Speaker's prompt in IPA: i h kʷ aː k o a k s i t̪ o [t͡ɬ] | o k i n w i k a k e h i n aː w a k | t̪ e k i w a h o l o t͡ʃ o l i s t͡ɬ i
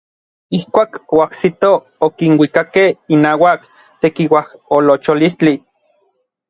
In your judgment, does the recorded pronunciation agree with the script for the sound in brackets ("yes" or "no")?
no